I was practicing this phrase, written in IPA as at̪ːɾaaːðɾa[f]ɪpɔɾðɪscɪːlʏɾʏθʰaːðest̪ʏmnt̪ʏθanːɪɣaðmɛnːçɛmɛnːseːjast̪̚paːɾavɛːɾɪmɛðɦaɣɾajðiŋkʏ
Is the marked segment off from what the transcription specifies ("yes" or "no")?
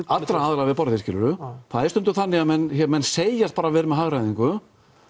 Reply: yes